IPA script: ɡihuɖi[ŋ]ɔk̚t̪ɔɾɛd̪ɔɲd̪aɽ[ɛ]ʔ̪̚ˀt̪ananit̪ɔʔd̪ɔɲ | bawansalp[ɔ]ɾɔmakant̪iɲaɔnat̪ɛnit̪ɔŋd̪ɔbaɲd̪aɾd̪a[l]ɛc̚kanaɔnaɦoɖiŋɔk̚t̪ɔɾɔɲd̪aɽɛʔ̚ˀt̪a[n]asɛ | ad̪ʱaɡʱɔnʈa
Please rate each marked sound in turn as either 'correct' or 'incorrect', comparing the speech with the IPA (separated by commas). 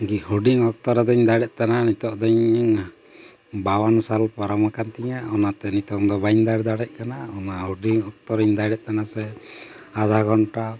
correct, correct, correct, incorrect, correct